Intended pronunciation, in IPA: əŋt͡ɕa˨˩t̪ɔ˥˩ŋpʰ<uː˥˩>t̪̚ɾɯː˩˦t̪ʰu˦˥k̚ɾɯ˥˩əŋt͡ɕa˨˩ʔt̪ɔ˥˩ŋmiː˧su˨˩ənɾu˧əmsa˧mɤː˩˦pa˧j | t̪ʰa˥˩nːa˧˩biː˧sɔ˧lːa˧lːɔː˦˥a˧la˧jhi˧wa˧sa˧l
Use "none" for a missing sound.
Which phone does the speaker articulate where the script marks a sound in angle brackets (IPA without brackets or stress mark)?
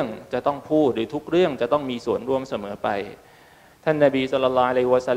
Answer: uː˥˩